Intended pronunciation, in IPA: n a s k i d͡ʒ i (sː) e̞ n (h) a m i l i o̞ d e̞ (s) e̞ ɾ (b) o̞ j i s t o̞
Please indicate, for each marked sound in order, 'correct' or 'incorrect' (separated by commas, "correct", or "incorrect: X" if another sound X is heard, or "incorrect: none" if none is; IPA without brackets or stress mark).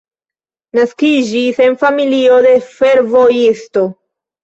incorrect: s, incorrect: f, incorrect: f, incorrect: v